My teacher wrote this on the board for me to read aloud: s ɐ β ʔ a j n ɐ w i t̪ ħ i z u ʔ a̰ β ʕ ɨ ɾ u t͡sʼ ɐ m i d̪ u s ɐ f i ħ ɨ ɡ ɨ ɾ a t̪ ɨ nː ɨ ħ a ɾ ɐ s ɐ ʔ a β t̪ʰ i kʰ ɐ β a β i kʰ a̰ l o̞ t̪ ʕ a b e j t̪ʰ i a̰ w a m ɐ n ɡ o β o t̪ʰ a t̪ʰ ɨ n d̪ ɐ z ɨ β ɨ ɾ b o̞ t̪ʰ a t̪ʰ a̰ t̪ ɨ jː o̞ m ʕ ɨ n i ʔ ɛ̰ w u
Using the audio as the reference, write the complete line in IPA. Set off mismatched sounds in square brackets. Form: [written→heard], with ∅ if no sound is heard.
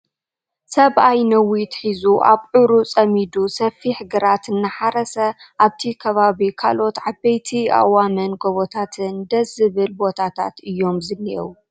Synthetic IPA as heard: s ɐ β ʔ a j n ɐ w i t̪ ħ i z u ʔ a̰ β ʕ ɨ ɾ u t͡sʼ ɐ m i d̪ u s ɐ f i ħ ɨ ɡ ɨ ɾ a t̪ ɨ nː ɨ ħ a ɾ ɐ s ɐ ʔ a β t̪ʰ i kʰ ɐ β a β i kʰ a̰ l o̞ t̪ ʕ a b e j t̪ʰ i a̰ w a m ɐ n ɡ o β o t̪ʰ a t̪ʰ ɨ n d̪ ɐ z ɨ β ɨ [ɾ→l] b o̞ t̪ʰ a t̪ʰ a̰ t̪ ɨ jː o̞ m [ʕ→z] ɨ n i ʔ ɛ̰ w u